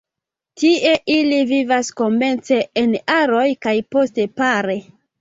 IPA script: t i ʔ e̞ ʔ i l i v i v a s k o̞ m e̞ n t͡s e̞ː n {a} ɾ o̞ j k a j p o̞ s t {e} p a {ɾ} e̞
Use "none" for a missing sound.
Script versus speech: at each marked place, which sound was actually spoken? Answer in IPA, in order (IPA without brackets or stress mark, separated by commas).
a, e, ɾ